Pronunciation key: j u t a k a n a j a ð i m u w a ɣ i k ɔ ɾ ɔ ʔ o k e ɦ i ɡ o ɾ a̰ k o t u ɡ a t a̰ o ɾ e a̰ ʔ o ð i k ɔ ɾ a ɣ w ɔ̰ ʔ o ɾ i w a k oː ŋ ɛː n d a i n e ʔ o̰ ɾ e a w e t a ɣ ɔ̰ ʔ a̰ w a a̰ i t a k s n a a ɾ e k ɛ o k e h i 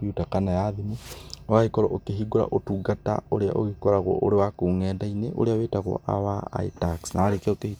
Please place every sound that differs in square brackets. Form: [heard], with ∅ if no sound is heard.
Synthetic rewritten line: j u t a k a n a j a ð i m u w a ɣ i k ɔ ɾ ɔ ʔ o k e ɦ i ɡ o ɾ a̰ [ʔ] o t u ɡ a t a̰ o ɾ e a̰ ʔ o [ɣ] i k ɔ ɾ a ɣ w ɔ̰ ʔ o ɾ [e] w a k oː ŋ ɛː n d a i n e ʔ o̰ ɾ e a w e t a ɣ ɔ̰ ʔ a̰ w a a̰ i t a k s n a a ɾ e k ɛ o k e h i